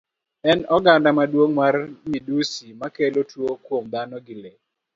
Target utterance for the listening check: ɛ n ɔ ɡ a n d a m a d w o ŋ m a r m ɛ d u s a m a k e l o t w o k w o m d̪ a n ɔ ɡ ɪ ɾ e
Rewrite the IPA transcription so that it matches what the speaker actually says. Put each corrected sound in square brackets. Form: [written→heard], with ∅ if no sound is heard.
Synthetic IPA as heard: ɛ n ɔ ɡ a n d a m a d w o ŋ m a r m [ɛ→i] d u s [a→i] m a k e l o t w o k w o m d̪ a n ɔ ɡ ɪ [ɾ→l] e